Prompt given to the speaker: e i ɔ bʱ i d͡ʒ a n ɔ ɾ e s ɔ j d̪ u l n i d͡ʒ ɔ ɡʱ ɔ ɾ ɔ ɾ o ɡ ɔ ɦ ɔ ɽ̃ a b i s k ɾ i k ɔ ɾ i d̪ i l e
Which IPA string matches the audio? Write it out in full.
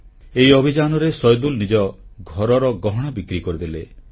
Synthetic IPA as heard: e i ɔ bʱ i d͡ʒ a n ɔ ɾ e s ɔ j d̪ u l n i d͡ʒ ɔ ɡʱ ɔ ɾ ɔ ɾ ɔ ɡ ɔ ɦ ɔ ɽ̃ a b i k ɾ i k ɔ ɾ i d̪ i l e